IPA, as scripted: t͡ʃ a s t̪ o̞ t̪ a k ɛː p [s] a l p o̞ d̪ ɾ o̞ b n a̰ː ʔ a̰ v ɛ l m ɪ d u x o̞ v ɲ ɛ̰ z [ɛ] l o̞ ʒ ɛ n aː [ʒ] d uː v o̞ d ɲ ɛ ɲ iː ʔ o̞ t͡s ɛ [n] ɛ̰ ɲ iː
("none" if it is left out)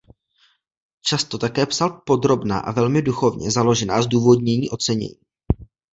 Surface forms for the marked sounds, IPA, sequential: s, a, z, ɲ

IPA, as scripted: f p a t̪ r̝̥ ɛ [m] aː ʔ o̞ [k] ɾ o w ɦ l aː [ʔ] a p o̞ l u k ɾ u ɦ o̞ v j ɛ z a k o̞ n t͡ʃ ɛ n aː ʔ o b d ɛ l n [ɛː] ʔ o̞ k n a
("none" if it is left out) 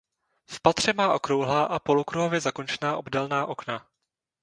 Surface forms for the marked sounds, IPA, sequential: m, k, ʔ, aː

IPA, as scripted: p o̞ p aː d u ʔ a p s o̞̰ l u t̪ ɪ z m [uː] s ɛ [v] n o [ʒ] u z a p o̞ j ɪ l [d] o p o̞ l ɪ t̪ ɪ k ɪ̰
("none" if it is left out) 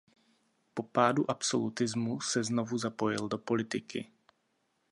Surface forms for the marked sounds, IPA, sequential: u, z, v, d

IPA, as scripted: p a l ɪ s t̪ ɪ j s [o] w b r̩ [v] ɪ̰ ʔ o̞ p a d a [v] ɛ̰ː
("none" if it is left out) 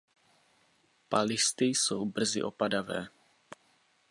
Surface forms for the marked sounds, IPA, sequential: o, z, v

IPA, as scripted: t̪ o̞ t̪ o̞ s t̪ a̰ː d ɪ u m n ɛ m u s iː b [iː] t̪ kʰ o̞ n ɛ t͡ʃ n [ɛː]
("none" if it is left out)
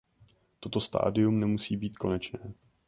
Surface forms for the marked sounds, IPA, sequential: iː, ɛː

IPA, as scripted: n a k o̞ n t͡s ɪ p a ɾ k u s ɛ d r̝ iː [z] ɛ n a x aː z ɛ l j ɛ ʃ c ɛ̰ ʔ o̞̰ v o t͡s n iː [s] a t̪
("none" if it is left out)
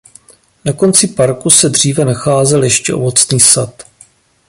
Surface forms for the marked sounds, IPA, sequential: v, s

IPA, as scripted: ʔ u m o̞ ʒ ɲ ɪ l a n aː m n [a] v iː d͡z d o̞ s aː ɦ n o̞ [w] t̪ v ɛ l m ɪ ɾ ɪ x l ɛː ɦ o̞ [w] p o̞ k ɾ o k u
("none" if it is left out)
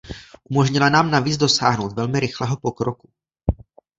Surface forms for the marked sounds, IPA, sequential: a, w, none

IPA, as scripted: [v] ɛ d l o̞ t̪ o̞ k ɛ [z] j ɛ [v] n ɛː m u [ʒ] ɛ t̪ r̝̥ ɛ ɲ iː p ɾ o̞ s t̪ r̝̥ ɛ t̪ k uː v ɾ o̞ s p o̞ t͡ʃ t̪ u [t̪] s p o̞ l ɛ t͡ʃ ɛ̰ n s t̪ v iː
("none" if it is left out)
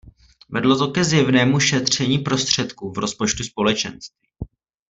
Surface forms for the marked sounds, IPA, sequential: v, z, v, ʃ, none

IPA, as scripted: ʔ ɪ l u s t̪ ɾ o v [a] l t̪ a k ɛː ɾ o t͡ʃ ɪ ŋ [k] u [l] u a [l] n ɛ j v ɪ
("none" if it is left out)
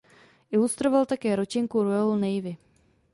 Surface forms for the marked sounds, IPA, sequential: a, k, ɾ, l

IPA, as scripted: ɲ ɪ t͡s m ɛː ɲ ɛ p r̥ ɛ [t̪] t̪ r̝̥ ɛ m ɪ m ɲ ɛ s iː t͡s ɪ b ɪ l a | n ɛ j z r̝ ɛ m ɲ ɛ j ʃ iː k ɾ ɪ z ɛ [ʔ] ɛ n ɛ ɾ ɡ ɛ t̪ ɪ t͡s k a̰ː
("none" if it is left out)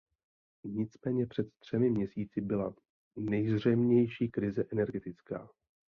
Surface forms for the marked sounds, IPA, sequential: t̪, ʔ

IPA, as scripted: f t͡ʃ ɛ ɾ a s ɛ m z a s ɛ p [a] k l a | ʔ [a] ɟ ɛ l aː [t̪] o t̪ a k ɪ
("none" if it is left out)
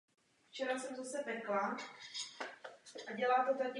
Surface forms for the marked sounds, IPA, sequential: ɛ, a, t̪

